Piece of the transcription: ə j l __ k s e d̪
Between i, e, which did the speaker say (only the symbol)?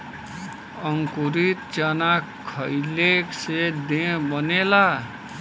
e